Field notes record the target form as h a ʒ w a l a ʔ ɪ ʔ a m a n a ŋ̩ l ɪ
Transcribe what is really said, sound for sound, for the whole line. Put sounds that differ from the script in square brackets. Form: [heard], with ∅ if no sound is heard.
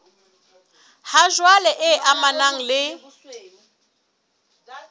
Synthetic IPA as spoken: h a ʒ w a l [ɛ] ʔ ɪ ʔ a m a n a ŋ̩ l ɪ